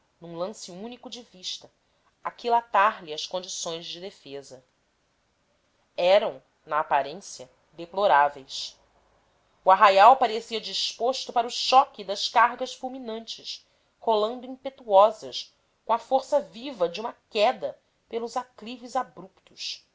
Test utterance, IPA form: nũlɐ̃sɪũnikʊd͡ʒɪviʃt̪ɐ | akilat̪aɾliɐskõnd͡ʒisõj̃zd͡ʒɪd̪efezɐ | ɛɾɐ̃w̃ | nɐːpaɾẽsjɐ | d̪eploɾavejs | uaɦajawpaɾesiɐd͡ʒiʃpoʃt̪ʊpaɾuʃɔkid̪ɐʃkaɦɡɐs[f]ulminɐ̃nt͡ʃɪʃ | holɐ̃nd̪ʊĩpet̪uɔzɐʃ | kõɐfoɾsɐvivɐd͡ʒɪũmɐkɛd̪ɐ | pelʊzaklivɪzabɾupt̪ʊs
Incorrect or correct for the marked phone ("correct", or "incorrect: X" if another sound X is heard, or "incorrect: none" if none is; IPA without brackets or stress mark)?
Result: correct